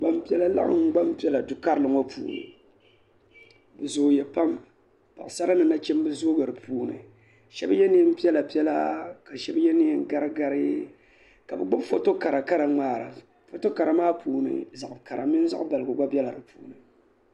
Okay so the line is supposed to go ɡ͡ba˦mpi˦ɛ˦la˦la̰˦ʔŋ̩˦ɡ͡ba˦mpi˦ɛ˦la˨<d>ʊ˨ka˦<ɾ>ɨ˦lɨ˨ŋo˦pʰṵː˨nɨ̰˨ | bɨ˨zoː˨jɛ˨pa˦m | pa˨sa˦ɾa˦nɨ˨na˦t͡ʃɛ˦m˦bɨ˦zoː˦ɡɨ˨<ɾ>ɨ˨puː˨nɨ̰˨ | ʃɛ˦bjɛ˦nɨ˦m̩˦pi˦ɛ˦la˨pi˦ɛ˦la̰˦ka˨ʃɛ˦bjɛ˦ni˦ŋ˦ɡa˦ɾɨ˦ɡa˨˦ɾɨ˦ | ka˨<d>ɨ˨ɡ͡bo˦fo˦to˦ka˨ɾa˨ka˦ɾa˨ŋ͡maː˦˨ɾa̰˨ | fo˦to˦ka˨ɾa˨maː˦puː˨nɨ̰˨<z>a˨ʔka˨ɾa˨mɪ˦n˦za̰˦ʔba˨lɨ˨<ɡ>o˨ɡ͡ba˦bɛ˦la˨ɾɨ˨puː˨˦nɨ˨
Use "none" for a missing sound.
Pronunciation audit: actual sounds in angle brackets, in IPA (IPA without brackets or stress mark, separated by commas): d, ɾ, ɾ, b, z, ɡ